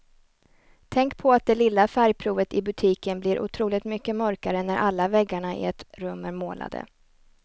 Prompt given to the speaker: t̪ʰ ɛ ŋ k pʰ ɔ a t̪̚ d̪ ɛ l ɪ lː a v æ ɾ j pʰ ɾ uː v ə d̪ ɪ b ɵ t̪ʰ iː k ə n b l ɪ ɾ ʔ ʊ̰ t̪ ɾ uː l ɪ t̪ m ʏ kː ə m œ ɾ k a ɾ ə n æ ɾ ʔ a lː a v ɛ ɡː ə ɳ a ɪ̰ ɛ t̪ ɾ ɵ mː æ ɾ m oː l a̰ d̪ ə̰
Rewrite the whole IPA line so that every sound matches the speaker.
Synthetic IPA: t̪ʰ ɛ ŋ k pʰ ɔ a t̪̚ d̪ ɛ l ɪ lː a f æ ɾ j pʰ ɾ uː v ə t̪ ɪ b ɵ t̪ʰ iː k ə n b l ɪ ɾ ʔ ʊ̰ t̪ʰ ɾ uː l ɪ t̪ m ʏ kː ə m œ ɾ k a ɾ ə n æ ɾ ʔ a lː a v ɛ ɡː a ɳ a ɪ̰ ɛ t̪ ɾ ɵ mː æ ɾ m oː l a̰ d̪ ə̰